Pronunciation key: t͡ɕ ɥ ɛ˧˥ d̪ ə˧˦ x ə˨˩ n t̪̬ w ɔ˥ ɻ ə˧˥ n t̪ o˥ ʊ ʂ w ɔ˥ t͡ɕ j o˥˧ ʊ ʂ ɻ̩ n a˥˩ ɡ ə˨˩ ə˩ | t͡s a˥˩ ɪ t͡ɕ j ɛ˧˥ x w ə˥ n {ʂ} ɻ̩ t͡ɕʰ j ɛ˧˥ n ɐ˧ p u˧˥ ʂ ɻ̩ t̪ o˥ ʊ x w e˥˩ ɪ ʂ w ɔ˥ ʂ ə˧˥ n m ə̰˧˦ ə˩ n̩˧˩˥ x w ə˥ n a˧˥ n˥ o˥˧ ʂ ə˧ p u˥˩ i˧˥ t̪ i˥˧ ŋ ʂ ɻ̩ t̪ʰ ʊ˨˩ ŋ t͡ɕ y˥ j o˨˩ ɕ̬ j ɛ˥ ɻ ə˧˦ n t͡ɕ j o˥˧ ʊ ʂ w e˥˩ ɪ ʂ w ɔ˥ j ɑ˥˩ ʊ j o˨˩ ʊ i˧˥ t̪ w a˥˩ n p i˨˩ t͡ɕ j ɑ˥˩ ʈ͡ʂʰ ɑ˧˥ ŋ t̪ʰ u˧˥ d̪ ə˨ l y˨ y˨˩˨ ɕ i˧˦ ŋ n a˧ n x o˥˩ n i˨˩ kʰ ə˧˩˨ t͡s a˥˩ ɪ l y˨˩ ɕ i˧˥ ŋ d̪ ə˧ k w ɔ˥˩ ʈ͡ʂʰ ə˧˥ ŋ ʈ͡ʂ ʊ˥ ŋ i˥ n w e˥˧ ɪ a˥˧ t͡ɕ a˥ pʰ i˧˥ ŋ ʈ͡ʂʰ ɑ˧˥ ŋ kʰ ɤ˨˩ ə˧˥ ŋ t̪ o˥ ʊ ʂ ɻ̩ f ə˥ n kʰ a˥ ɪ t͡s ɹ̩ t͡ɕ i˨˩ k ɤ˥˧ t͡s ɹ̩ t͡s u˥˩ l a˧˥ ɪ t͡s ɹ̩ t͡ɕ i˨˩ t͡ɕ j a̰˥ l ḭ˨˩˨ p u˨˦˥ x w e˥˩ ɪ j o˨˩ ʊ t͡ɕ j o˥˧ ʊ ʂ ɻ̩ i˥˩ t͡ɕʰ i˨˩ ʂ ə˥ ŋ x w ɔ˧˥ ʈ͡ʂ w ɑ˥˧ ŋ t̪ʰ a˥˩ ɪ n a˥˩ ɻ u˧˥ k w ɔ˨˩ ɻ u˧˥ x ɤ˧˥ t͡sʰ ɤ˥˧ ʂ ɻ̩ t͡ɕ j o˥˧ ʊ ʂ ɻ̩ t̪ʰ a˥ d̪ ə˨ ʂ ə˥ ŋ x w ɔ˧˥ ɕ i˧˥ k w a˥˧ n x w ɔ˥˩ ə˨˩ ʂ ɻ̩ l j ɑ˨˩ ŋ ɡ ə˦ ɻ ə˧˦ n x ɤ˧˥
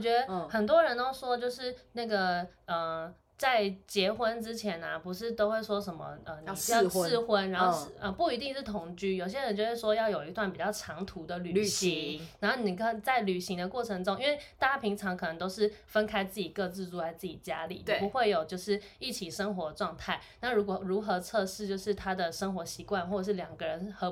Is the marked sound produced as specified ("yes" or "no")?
no